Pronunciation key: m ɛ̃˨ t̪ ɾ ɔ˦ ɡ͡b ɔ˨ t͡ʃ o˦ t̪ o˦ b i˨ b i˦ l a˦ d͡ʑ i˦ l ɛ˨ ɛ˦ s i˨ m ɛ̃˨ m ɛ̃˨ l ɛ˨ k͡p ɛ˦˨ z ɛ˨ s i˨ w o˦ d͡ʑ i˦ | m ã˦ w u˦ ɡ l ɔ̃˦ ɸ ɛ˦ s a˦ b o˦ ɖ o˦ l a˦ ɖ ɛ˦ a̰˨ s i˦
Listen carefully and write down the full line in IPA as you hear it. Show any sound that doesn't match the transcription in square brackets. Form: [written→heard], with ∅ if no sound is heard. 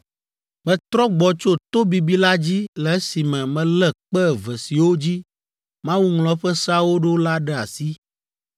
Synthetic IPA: m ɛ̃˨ t̪ ɾ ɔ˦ ɡ͡b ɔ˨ t͡ʃ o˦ t̪ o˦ b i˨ b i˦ l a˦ d͡ʑ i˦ l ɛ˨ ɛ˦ s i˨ m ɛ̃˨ m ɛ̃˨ l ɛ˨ k͡p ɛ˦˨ [z→v] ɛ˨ s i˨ w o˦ d͡ʑ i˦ | m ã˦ w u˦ [ɡ→ŋ] l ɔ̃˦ ɸ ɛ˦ s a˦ [b→w] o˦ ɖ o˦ l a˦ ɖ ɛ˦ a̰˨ s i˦